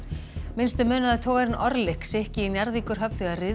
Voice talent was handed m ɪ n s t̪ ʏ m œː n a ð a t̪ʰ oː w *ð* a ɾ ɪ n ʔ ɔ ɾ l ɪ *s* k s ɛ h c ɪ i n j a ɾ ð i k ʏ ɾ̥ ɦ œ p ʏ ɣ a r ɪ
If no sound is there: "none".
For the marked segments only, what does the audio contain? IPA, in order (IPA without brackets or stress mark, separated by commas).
ɣ, h